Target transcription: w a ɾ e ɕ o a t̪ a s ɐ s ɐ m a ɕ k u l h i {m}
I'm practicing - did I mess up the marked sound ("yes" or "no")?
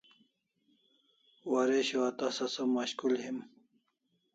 no